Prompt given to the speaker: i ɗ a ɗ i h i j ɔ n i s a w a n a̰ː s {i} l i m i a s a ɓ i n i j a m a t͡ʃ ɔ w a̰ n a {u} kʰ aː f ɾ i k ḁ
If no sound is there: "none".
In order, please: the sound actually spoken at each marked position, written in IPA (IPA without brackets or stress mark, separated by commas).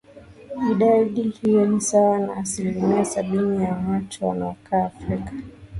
i, ɔ